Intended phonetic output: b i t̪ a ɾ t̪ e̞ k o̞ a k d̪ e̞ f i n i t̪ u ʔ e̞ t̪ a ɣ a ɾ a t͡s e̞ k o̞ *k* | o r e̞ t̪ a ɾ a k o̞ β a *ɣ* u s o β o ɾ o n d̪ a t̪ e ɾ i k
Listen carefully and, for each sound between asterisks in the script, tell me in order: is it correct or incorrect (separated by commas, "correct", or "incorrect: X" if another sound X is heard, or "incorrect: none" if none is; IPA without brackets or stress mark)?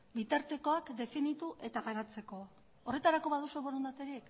incorrect: none, incorrect: ð